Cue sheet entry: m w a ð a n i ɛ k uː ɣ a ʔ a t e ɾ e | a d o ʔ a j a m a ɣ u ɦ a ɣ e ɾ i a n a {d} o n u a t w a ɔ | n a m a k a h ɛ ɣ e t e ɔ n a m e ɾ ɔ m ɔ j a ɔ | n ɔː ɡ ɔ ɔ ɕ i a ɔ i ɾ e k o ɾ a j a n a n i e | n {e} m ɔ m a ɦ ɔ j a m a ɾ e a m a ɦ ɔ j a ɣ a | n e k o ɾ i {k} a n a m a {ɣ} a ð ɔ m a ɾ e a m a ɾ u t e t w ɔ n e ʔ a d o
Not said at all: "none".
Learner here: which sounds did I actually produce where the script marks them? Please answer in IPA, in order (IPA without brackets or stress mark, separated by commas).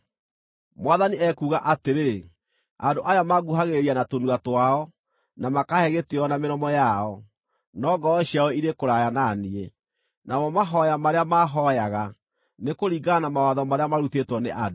t, a, ɡ, w